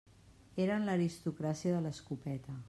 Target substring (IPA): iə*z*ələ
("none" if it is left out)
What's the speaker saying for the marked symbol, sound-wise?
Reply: ð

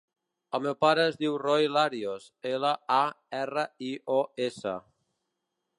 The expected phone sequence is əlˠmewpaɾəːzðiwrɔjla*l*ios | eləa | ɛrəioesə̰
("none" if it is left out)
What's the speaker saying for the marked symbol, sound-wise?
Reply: ɾ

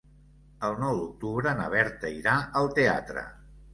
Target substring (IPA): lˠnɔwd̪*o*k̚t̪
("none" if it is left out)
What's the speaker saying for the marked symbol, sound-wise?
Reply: u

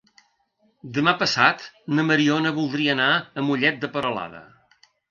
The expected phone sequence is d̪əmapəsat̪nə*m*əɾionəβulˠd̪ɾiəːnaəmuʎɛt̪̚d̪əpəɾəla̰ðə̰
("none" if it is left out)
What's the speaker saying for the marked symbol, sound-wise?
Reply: m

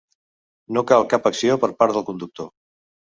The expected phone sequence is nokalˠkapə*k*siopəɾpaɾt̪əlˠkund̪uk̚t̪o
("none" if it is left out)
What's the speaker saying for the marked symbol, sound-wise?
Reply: k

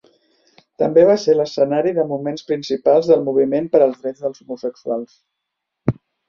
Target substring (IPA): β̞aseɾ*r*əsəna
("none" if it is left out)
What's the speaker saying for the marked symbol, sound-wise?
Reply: l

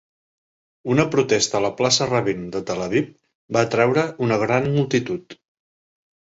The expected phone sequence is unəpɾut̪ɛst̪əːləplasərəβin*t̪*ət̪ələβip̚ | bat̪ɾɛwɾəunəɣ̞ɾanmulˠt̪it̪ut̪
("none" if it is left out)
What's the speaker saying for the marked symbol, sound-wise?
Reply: d̪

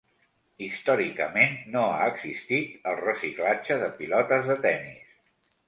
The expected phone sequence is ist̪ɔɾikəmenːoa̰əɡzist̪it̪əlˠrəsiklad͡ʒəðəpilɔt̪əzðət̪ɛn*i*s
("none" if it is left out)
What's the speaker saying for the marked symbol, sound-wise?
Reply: i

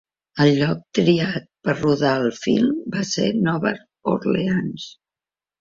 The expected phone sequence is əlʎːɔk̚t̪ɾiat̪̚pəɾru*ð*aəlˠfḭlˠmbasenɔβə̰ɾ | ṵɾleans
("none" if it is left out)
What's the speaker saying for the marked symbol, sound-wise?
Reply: ð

